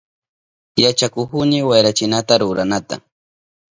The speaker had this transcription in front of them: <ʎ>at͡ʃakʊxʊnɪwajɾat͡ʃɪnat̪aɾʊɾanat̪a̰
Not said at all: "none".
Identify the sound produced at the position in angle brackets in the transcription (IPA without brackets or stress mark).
j